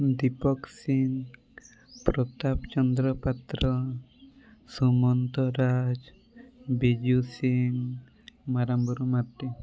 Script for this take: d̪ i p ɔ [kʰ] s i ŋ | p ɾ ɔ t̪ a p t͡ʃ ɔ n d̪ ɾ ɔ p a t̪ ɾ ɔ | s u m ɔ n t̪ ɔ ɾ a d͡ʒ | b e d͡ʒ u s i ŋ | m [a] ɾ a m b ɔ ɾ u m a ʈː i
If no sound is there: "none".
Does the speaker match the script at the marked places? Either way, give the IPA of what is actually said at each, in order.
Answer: k, a

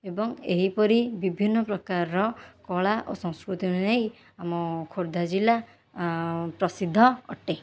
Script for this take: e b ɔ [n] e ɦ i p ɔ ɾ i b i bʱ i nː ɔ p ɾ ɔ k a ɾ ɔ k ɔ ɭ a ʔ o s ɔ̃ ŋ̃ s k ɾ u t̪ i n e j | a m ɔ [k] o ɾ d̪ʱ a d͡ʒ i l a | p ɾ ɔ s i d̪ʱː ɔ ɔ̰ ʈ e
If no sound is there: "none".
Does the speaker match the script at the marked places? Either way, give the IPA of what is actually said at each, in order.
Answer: ŋ, kʰ

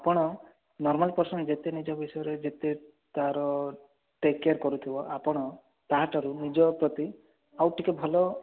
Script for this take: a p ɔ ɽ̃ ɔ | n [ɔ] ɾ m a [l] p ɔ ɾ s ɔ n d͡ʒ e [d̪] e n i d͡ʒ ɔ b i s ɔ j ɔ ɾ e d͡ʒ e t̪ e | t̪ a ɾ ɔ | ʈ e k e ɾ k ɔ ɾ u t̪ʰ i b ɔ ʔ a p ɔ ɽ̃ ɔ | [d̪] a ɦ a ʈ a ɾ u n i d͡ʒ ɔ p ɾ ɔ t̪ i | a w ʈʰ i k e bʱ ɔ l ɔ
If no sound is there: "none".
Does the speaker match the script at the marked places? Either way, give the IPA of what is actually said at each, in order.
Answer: ɔ, l, t̪, t̪

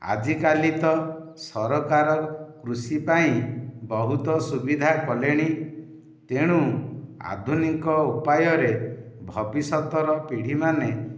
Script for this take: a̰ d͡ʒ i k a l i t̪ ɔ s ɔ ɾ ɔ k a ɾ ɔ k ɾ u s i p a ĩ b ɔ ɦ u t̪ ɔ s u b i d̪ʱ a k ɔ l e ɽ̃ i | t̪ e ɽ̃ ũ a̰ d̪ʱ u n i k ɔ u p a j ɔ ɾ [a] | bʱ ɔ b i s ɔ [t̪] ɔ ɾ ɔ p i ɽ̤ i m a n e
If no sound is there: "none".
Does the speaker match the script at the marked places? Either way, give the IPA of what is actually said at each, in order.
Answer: e, t̪

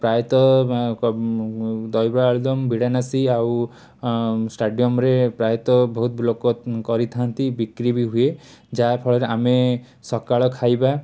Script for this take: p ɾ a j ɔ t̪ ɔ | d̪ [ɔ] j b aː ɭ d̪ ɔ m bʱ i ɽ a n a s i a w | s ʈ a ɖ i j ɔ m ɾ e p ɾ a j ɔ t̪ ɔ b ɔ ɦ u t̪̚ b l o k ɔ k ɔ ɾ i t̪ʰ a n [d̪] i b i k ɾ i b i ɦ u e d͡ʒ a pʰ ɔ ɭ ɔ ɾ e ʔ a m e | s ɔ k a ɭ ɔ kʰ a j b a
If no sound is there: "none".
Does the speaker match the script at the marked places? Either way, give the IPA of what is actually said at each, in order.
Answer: ɔ, t̪

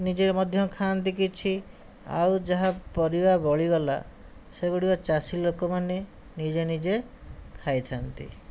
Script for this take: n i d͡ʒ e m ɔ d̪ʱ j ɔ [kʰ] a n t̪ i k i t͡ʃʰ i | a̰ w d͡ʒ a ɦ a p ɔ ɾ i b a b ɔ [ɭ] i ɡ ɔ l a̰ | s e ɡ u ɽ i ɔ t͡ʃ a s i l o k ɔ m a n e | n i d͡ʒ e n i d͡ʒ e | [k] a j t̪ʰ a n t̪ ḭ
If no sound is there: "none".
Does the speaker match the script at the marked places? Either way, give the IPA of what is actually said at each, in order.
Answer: kʰ, ɭ, kʰ

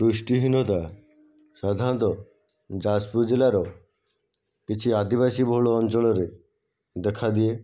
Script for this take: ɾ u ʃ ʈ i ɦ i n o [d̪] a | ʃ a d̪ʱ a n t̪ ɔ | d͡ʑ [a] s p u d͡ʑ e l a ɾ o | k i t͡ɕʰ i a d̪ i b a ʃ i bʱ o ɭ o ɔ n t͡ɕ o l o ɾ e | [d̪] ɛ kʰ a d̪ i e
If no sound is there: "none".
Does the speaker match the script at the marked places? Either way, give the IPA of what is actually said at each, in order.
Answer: t̪, a, d̪

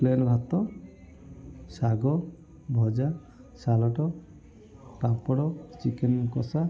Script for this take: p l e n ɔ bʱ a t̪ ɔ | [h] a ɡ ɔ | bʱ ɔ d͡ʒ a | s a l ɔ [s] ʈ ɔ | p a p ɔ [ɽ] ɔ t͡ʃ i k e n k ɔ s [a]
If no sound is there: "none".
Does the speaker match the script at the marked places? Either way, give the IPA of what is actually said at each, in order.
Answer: s, none, ɽ, a

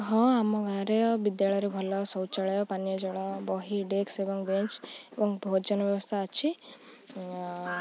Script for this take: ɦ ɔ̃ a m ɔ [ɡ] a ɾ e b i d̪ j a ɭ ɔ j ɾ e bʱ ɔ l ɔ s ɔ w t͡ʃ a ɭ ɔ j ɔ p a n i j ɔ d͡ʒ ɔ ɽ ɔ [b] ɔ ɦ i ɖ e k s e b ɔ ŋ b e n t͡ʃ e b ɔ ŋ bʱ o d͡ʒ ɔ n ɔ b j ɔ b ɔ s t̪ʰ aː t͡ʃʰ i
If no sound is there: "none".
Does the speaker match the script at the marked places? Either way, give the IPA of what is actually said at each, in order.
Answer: ɡ, b

